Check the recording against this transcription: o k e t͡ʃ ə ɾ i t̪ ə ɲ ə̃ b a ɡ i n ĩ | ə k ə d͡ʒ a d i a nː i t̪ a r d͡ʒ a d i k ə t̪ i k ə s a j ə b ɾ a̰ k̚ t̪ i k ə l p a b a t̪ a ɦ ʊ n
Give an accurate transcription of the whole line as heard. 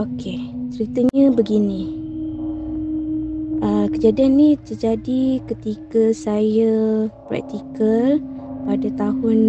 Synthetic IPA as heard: o k e t͡ʃ ə ɾ i t̪ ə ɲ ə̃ b ə ɡ i n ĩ | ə k ə d͡ʒ a d i a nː i t̪ ə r d͡ʒ a d i k ə t̪ i k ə s a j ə p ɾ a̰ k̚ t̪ i k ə l p a d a t̪ a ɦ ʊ n